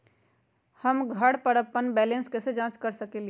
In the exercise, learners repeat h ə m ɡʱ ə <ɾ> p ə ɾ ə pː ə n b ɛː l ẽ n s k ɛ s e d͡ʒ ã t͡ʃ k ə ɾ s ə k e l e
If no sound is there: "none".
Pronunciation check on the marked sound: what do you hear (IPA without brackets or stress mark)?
ɽ